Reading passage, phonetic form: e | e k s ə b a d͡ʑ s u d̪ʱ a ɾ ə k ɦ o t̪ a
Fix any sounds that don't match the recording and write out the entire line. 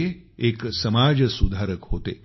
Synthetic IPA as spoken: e | e k s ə m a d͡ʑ s u d̪ʱ a ɾ ə k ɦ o t̪ e

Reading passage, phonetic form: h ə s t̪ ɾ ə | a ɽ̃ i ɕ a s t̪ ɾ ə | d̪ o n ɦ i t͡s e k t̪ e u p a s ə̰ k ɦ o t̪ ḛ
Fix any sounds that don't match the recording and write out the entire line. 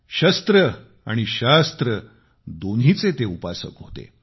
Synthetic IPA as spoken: ɕ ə s t̪ ɾ ə | a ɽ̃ i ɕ a s t̪ ɾ ə | d̪ o n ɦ i t͡s e t̪ e u p a s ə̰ k ɦ o t̪ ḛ

